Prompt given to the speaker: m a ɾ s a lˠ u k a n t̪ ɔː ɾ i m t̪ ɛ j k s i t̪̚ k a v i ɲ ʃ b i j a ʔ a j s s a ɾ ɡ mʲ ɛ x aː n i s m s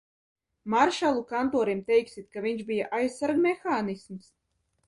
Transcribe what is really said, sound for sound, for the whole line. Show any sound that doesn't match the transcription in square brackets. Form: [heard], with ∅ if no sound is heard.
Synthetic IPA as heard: m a ɾ [ʃ] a lˠ u k a n t̪ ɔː ɾ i m t̪ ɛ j k s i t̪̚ k a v i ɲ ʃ b i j a ʔ a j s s a ɾ ɡ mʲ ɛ x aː n i s m s